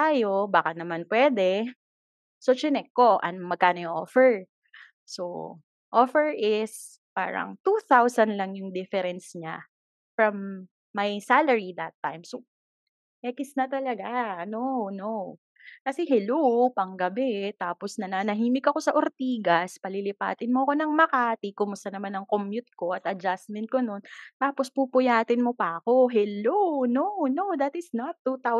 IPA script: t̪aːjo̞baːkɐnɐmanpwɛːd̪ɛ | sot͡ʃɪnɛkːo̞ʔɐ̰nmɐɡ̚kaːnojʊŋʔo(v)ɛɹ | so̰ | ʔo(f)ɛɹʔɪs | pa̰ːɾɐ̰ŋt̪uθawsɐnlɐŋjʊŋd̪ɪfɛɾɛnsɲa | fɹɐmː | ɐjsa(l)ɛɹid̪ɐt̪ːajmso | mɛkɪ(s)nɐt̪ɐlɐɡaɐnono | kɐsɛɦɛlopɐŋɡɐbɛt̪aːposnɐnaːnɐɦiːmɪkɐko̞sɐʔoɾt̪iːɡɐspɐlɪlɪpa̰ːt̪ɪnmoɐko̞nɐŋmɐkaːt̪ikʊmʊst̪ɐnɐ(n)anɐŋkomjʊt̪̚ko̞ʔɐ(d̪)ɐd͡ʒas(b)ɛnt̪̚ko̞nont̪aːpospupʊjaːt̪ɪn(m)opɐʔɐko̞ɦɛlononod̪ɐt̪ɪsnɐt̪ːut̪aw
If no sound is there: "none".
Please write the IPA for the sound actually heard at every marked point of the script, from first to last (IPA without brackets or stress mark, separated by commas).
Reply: f, f, l, s, m, t̪, m, m